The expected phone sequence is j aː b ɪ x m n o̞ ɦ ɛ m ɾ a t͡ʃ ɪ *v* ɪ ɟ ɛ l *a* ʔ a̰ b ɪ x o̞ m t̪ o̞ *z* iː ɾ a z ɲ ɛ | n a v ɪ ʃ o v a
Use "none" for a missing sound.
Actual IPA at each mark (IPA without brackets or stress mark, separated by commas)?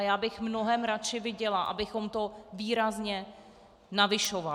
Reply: v, a, v